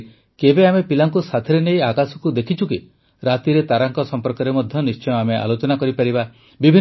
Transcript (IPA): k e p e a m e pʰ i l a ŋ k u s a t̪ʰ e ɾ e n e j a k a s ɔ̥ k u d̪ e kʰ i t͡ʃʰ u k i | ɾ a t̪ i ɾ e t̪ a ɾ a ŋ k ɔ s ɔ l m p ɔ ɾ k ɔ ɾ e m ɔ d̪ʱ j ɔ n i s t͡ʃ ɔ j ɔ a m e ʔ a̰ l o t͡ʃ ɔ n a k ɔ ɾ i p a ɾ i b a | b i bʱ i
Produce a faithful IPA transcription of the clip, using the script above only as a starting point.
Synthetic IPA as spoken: k e b e a m e p i l a ŋ k u s a t̪ʰ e ɾ e n e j a k a s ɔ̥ k u d̪ e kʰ i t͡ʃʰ u k i | ɾ a t̪ i ɾ e t̪ a ɾ a ŋ k ɔ s ɔ m p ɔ ɾ k ɔ ɾ e m ɔ d̪ʱ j ɔ n i s t͡ʃ ɔ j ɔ a m e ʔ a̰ l o t͡ʃ ɔ n a k ɔ ɾ i p a ɾ i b a | b i bʱ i